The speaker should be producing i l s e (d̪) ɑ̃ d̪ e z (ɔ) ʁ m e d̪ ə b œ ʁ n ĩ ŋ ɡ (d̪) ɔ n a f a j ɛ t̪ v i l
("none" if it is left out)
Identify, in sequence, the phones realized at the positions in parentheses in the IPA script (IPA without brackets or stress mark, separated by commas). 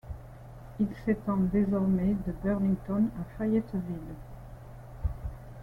t̪, ɔ, t̪